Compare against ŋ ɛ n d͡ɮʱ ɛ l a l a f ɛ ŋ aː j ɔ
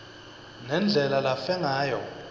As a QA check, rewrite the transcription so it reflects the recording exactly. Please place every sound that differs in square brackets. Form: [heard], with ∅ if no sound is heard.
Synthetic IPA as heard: [n] ɛ n d͡ɮʱ ɛ l a l a f ɛ ŋ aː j ɔ